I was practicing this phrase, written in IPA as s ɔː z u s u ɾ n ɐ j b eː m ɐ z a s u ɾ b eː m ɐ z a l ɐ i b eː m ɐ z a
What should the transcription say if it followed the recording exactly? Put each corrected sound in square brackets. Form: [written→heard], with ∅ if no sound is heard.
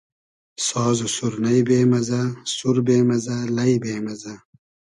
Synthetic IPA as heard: s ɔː z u s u ɾ n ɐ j b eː m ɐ z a s u ɾ b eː m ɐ z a l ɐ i b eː m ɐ z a